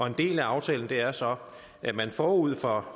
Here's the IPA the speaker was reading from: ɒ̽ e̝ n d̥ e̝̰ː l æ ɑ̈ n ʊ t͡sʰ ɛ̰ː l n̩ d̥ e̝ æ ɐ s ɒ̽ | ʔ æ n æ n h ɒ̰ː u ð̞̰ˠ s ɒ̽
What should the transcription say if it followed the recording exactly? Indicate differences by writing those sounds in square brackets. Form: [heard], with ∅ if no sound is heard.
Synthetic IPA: ɒ̽ e̝ n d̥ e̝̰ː l æ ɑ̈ [∅] ʊ t͡sʰ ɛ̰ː l n̩ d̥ e̝ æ ɐ s ɒ̽ | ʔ æ [m] æ n [f] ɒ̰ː u ð̞̰ˠ [f] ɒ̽